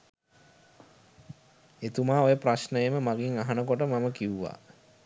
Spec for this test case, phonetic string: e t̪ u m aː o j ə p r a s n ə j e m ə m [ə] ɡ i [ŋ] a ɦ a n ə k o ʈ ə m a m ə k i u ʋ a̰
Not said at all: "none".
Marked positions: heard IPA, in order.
a, ŋ

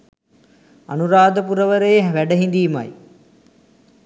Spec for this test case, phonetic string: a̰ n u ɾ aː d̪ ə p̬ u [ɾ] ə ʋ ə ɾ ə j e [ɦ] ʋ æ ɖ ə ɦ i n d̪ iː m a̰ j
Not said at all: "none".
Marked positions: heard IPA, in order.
ɾ, ɦ

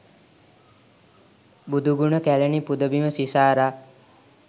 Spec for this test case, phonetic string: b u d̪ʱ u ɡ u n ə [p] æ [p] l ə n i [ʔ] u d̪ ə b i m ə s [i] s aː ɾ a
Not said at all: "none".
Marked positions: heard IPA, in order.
k, none, p, i

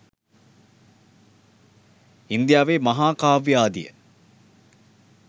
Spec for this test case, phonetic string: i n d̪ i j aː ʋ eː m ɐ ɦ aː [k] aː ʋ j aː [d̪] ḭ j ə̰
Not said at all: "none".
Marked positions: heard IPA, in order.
k, d̪

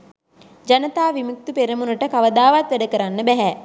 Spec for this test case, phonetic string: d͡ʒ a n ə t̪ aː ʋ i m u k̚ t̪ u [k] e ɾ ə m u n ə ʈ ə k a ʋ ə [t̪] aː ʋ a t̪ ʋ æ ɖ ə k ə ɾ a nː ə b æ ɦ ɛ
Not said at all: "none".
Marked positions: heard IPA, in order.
p, d̪

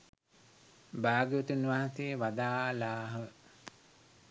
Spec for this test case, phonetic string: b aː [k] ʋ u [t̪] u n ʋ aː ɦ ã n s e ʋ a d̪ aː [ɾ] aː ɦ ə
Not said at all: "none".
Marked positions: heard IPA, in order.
ɡ, t̪, l

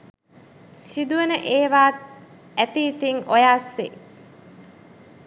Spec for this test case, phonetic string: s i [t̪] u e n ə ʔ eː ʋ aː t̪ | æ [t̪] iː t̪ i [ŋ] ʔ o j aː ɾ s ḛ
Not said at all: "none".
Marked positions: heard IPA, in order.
d̪, t̪, ŋ

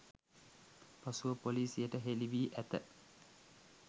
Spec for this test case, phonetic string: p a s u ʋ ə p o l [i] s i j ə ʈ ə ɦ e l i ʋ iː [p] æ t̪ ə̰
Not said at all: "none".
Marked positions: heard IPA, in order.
iː, ʔ

